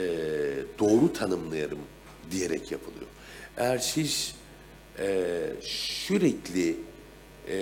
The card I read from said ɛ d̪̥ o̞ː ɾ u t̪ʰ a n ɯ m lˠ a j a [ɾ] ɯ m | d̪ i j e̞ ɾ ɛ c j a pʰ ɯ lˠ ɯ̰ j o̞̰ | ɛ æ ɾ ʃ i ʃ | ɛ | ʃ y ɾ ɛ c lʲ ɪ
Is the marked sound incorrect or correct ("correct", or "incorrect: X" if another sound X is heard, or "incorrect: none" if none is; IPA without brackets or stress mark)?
correct